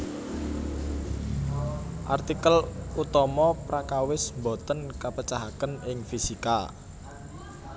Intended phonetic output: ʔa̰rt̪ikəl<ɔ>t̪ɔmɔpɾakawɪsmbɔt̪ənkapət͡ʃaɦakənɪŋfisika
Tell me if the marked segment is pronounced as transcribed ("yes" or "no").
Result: no